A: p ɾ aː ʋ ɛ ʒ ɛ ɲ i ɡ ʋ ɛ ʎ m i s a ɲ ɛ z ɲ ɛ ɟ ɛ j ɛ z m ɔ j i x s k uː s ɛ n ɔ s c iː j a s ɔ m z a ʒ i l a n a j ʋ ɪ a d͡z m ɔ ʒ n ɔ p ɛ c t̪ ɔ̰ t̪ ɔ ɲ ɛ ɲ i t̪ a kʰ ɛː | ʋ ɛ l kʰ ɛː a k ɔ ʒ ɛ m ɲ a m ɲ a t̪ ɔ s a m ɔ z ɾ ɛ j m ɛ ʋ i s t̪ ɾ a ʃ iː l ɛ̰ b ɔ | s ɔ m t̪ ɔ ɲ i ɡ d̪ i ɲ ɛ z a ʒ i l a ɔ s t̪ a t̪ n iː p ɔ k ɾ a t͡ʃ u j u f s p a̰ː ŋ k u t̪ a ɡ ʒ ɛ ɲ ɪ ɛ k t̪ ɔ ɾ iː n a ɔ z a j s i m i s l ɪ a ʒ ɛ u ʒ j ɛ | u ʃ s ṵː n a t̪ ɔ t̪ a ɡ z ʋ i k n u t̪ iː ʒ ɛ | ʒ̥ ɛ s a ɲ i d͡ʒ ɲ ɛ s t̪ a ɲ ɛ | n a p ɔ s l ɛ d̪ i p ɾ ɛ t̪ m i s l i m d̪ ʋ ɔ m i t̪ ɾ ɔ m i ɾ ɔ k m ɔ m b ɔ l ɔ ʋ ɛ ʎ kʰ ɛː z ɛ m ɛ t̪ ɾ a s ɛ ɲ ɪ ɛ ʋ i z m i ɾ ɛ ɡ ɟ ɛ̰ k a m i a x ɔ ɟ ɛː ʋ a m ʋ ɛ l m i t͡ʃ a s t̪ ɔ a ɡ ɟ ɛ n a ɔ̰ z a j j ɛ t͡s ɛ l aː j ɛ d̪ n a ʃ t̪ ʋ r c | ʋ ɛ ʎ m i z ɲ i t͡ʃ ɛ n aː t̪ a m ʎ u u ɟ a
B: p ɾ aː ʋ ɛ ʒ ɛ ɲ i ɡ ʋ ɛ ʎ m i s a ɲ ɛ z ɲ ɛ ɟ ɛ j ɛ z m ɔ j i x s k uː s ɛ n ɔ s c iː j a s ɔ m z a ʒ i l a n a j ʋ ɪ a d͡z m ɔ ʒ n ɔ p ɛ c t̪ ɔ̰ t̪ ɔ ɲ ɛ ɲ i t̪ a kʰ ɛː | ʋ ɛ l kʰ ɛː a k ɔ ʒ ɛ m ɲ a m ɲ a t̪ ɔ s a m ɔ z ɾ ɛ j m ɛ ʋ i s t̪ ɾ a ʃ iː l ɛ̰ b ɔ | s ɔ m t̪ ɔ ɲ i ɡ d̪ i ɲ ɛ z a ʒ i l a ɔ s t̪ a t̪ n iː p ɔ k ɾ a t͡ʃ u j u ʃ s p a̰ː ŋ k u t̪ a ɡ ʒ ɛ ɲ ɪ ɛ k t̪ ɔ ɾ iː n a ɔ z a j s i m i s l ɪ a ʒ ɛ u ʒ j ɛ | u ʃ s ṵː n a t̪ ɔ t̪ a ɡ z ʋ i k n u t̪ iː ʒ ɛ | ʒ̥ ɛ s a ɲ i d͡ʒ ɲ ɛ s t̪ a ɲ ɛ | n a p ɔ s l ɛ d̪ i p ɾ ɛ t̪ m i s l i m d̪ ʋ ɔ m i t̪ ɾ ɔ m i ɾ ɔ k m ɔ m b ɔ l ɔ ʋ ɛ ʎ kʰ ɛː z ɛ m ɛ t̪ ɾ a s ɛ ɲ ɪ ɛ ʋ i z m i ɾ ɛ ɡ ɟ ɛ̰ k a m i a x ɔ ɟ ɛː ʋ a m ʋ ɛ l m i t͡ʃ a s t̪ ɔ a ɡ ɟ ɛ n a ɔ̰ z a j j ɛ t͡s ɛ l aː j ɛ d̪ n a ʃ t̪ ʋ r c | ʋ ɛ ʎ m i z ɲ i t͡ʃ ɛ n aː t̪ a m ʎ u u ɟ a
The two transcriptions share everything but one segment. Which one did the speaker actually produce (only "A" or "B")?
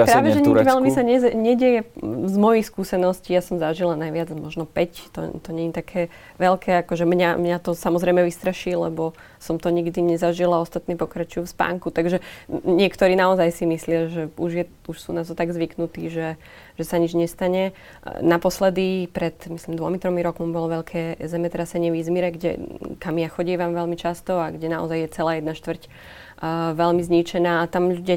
A